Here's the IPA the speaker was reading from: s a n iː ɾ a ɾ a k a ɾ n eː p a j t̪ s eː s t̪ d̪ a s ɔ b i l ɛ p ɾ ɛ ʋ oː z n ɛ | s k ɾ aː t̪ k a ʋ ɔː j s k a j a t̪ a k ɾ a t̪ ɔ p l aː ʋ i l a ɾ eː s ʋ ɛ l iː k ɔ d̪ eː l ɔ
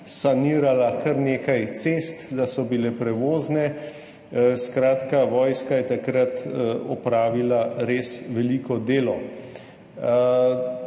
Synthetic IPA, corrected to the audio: s a n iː ɾ a l a k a ɾ n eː k a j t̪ s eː s t̪ d̪ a s ɔ b i l ɛ p ɾ ɛ ʋ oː z n ɛ | s k ɾ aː t̪ k a ʋ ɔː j s k a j ɛ t̪ a k ɾ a t̪ ɔ p ɾ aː ʋ i l a ɾ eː s ʋ ɛ l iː k ɔ d̪ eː l ɔ

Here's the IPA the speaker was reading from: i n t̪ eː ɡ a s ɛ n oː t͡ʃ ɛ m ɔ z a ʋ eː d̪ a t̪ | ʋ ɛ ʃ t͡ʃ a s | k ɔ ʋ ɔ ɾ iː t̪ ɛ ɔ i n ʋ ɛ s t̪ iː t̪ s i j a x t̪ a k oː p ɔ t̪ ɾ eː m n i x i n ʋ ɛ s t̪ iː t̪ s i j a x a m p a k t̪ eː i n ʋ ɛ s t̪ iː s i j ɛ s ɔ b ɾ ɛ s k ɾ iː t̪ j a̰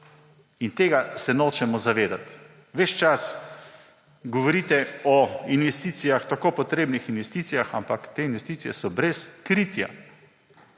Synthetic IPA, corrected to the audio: i n t̪ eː ɡ a s ɛ n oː t͡ʃ ɛ m ɔ z a ʋ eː d̪ a t̪ | ʋ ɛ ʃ t͡ʃ a s | ɡ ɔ ʋ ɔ ɾ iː t̪ ɛ ɔ i n ʋ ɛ s t̪ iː t̪ s i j a x t̪ a k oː p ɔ t̪ ɾ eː b n i x i n ʋ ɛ s t̪ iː t̪ s i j a x a m p a k t̪ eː i n ʋ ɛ s t̪ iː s i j ɛ s ɔ b ɾ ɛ s k ɾ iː t̪ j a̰

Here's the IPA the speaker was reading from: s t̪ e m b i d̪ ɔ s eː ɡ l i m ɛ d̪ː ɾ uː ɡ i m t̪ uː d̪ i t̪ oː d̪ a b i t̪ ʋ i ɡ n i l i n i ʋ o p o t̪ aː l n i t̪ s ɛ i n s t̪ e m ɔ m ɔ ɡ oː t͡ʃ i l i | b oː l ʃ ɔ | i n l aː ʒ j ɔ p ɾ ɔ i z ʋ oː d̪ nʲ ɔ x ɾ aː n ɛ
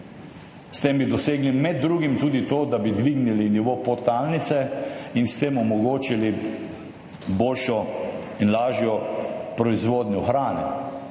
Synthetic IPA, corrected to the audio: s t̪ e m b i d̪ ɔ s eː ɡ l i m ɛ d̪ː ɾ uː ɡ i m t̪ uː d̪ i t̪ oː d̪ a b i d̪ ʋ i ɡ n i l i n i ʋ o p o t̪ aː l n i t̪ s ɛ i n s t̪ e m ɔ m ɔ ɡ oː t͡ʃ i l i | b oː l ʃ ɔ | i n l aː ʒ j ɔ p ɾ ɔ i z ʋ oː d̪ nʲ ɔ x ɾ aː n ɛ

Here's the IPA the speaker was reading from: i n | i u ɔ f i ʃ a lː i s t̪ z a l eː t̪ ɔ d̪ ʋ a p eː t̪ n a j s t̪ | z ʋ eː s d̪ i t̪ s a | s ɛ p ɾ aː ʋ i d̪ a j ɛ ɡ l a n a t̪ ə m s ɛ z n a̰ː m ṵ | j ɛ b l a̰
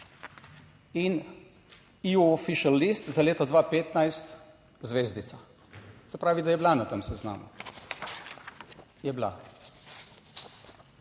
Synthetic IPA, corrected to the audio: i n | i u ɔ f i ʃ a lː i s t̪ z a l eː t̪ ɔ d̪ ʋ a p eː t̪ n a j s t̪ | z ʋ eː z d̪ i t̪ s a | s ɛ p ɾ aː ʋ i d̪ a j ɛ b l a n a t̪ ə m s ɛ z n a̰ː m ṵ | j ɛ b l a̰

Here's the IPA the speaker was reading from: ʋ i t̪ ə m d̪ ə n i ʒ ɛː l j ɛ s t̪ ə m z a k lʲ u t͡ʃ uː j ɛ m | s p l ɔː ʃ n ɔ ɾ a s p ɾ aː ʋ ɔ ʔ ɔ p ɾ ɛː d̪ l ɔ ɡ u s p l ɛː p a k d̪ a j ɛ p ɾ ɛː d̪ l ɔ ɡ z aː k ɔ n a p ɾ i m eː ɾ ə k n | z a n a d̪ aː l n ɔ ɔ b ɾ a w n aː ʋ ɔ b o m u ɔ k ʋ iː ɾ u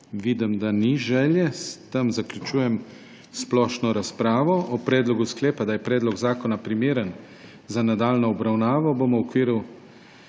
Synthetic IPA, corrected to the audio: ʋ i d̪ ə m d̪ a n i ʒ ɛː l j ɛ s t̪ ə m z a k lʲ u t͡ʃ uː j ɛ m | s p l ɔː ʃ n ɔ ɾ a s p ɾ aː ʋ ɔ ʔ ɔ p ɾ ɛː d̪ l ɔ ɡ u s k l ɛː p a d̪ a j ɛ p ɾ ɛː d̪ l ɔ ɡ z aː k ɔ n a p ɾ i m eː ɾ ə n | z a n a d̪ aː l n ɔ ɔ b ɾ a w n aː ʋ ɔ b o m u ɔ k ʋ iː ɾ u

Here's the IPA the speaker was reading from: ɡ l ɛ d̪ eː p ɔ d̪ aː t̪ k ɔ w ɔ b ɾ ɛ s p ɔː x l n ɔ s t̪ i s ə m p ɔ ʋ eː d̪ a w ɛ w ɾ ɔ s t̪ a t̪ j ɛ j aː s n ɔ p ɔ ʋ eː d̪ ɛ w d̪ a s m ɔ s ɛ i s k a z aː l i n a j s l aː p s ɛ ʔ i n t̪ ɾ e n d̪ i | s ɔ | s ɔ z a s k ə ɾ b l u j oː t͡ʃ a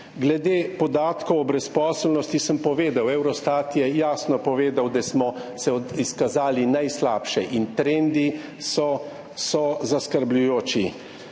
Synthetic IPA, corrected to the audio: ɡ l ɛ d̪ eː p ɔ d̪ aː t̪ k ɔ w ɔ b ɾ ɛ s p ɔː s l n ɔ s t̪ i s ə m p ɔ ʋ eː d̪ a w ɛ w ɾ ɔ s t̪ a t̪ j ɛ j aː s n ɔ p ɔ ʋ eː d̪ a w d̪ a s m ɔ s ɛ i s k a z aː l i n a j s l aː p ʃ ɛ ʔ i n t̪ ɾ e n d̪ i | s ɔ | s ɔ z a s k ə ɾ b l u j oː t͡ʃ i

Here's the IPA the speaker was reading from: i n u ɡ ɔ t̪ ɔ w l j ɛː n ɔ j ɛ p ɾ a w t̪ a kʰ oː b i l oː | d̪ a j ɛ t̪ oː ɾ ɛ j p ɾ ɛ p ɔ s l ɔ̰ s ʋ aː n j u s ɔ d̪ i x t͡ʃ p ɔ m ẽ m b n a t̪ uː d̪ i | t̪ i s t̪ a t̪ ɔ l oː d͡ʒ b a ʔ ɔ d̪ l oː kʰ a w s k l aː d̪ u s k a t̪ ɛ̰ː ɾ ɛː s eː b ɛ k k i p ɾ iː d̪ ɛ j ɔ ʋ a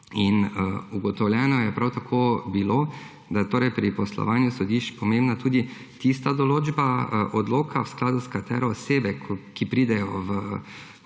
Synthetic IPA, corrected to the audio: i n u ɡ ɔ t̪ ɔ w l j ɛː n ɔ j ɛ p ɾ a w t̪ a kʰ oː b i l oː | d̪ a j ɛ t̪ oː ɾ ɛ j p ɾ i p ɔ s l ɔ̰ ʋ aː n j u s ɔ d̪ i ʃ t͡ʃ p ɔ m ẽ m b n a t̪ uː d̪ i | t̪ i s t̪ a d̪ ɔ l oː d͡ʒ b a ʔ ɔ d̪ l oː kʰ a w s k l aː d̪ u s k a t̪ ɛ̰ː ɾ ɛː s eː b ɛ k k i p ɾ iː d̪ ɛ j ɔ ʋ ə

